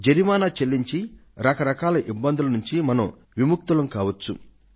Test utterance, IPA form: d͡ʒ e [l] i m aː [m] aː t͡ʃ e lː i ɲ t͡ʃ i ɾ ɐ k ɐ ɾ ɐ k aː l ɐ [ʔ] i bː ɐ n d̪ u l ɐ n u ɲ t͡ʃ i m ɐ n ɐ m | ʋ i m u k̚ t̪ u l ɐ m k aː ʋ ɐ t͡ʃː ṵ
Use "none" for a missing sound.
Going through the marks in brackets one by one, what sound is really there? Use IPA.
ɾ, n, ʔ

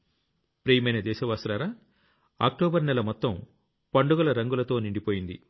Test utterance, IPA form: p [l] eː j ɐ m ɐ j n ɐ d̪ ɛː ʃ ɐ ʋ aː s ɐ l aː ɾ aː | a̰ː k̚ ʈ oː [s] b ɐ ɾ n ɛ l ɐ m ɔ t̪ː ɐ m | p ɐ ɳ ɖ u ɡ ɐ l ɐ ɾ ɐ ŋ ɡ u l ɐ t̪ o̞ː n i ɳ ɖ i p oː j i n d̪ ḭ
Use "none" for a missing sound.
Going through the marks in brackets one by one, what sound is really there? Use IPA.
ɾ, none

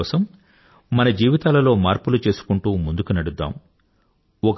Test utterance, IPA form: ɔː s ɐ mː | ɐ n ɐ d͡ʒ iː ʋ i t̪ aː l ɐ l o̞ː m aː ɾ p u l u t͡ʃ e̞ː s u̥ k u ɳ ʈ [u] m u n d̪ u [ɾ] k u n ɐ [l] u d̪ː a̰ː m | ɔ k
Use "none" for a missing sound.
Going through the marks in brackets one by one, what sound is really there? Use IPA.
uː, none, ɽ

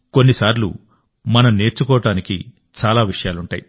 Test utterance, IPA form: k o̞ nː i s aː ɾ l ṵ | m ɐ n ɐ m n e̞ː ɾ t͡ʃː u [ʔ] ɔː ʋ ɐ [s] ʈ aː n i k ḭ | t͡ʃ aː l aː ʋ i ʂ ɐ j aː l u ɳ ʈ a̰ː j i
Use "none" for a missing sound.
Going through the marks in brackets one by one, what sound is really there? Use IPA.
k, none

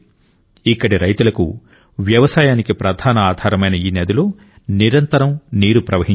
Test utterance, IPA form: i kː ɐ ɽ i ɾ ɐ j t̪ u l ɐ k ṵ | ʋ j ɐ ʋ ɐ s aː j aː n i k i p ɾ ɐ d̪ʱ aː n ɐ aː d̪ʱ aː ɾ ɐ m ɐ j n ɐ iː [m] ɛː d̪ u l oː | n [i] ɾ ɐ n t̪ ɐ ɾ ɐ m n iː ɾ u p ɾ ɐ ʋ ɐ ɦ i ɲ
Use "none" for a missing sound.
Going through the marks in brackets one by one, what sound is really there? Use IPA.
n, i

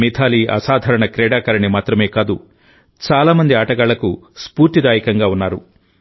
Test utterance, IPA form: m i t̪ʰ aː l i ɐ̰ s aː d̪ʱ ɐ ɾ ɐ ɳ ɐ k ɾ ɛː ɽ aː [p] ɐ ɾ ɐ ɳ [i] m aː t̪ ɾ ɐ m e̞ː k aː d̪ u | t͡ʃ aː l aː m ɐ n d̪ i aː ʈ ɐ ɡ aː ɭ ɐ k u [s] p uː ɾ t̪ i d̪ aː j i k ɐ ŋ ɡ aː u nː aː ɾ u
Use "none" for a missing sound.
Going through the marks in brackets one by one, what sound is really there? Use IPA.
k, i, s

